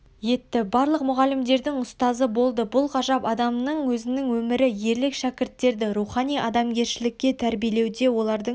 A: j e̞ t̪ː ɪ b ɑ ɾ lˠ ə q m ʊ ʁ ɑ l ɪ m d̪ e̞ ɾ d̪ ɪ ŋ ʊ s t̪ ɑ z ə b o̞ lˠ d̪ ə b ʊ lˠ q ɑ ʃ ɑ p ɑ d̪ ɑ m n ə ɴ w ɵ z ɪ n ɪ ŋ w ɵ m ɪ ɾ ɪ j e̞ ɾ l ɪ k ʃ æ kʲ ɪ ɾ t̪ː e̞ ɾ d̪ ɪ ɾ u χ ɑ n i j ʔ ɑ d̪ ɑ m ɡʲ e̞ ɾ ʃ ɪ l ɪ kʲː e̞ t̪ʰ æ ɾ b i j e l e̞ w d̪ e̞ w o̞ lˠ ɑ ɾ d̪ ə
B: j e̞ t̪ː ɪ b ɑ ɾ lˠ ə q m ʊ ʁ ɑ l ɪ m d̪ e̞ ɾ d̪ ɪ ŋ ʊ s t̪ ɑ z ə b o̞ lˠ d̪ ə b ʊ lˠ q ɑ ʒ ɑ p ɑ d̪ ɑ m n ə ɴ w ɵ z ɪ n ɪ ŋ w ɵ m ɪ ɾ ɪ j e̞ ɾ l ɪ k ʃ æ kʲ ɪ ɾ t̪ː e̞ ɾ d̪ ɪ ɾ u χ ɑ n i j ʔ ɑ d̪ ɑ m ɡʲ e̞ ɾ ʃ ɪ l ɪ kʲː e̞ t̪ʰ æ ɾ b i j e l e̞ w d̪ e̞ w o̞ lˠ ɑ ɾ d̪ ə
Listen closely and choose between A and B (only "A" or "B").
B